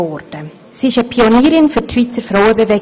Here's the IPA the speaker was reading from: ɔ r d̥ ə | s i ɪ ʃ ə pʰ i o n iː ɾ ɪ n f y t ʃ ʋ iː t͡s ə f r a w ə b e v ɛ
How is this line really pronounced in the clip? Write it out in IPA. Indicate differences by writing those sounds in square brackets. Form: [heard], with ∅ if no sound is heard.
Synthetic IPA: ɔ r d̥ ə | s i ɪ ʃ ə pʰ i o n iː ɾ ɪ n f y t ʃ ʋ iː t͡s ə f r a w ə b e v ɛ